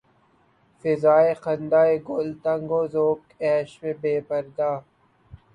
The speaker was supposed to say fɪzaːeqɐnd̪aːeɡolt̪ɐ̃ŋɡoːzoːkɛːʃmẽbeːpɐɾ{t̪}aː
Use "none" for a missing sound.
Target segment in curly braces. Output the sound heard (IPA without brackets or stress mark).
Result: d̪